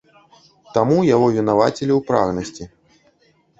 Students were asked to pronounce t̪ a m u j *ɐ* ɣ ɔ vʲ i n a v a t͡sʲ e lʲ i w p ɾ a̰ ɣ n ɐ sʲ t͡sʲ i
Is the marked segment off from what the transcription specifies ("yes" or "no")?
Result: yes